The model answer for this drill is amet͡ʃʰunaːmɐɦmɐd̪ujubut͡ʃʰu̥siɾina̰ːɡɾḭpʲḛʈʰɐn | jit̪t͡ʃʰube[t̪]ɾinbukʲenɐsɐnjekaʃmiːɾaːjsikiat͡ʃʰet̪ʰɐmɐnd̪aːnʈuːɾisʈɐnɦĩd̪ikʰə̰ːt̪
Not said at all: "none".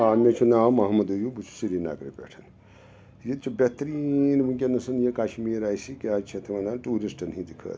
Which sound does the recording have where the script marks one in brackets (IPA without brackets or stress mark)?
t̪